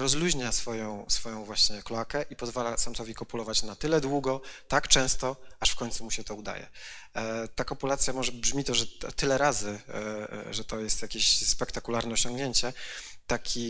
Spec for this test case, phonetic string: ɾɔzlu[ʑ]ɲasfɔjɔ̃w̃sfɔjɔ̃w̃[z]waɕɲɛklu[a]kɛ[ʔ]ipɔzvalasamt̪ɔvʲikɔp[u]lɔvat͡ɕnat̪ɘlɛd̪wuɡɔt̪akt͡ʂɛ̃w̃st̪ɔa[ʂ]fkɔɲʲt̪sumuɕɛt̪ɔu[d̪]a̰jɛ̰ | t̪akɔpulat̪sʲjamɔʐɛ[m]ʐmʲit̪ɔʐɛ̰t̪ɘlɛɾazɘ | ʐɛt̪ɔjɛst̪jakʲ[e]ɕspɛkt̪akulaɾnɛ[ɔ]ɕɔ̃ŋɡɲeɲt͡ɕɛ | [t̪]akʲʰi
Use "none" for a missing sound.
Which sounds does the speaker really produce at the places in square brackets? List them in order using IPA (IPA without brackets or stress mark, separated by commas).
ʑ, v, a, ʔ, u, ʂ, d̪, b, e, ɔ, t̪